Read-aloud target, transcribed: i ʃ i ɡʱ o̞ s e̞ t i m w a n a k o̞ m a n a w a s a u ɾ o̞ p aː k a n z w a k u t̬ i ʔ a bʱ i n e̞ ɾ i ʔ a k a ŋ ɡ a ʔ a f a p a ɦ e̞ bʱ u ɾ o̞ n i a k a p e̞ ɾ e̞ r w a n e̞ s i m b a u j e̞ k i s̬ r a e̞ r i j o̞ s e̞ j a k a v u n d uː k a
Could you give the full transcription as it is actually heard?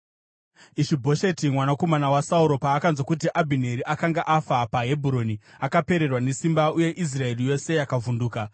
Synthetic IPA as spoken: i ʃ i bʱ o̞ ʃ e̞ t i m w a n a k o̞ m a n a w a s a u ɾ o̞ p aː k a n z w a k u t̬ i ʔ a bʱ i n e̞ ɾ i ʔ a k a ŋ ɡ a ʔ a f a p a ɦ e̞ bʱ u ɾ o̞ n i a k a p e̞ ɾ e̞ r w a n e̞ s i m b a u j e̞ ʔ i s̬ r a e̞ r i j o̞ s e̞ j a k a v u n d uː k a